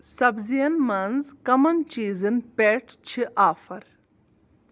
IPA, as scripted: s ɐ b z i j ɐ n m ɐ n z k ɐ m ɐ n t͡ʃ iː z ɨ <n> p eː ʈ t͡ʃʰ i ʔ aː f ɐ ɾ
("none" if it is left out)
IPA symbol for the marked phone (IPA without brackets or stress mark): n